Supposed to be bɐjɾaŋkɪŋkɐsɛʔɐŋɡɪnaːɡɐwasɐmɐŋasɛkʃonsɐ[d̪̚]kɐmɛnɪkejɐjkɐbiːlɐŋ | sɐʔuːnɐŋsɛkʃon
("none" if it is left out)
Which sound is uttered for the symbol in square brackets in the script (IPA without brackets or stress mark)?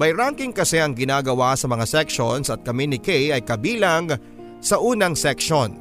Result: t̪̚